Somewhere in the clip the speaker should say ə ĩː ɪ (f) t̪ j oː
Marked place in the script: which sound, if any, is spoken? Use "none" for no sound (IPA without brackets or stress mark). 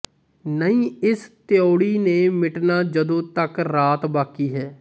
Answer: s